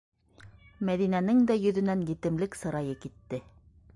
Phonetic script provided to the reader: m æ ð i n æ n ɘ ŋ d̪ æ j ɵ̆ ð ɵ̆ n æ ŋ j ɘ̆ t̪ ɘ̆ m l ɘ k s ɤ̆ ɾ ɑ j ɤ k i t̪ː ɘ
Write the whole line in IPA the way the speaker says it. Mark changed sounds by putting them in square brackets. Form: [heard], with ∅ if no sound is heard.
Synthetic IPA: m æ ð i n æ n ɘ ŋ d̪ æ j ɵ̆ ð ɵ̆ n æ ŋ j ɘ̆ t̪ ɘ̆ m l ɘ k s ɤ̆ ɾ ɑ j ɤ k i t̪ː ɘ